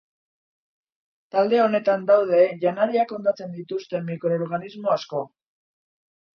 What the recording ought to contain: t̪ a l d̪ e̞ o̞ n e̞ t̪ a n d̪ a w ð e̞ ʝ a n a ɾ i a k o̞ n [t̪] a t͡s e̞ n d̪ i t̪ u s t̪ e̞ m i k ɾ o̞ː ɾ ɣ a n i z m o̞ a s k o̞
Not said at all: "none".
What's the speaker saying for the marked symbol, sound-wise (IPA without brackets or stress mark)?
d̪